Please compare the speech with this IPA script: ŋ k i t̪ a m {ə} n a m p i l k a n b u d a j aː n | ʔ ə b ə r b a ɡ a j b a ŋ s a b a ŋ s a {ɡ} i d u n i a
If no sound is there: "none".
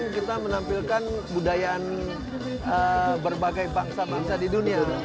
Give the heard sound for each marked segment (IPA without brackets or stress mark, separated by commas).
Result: ə, d